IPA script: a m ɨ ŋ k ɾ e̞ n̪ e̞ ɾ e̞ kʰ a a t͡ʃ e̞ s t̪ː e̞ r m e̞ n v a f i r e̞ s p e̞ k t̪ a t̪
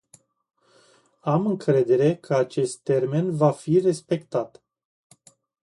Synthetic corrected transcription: a m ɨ ŋ k ɾ e̞ d̪ e̞ ɾ e̞ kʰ ə a t͡ʃ e̞ s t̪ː e̞ r m e̞ n v a f i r e̞ s p e̞ k t̪ a t̪